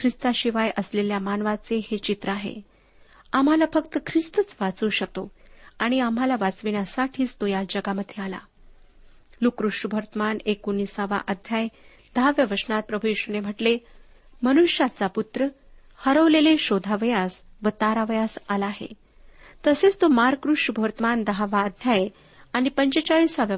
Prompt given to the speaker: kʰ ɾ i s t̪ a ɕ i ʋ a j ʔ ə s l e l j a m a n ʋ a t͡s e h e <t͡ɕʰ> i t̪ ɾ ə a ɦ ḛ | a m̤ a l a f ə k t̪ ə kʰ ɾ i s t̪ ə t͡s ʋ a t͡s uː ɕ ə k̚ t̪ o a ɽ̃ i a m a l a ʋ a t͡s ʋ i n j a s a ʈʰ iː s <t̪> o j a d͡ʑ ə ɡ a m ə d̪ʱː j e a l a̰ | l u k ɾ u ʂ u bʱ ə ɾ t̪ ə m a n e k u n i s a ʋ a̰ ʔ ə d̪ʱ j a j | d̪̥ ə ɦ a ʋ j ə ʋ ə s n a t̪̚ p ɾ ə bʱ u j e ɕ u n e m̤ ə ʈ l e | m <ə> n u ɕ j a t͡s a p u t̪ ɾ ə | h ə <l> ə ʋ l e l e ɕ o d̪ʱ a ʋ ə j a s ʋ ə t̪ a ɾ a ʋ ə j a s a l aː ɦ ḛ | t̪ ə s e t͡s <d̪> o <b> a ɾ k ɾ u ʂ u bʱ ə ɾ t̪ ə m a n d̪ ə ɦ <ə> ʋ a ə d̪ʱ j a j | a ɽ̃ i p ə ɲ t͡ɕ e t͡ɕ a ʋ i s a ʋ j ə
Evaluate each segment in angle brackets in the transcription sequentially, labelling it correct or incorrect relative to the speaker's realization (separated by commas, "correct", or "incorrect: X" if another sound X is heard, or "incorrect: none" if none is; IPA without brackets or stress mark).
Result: incorrect: t͡ɕ, correct, correct, incorrect: ɾ, incorrect: t̪, incorrect: m, incorrect: a